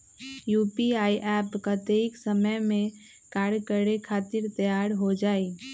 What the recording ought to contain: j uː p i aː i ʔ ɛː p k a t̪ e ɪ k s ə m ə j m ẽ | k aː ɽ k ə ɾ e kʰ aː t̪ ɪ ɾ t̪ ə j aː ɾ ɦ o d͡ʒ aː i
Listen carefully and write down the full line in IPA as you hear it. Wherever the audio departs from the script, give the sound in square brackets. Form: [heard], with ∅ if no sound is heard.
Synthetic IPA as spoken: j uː p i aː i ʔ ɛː p k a t̪ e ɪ k s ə m ə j m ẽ | k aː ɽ k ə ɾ e kʰ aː t̪ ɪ ɾ t̪ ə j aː ɾ ɦ o d͡ʒ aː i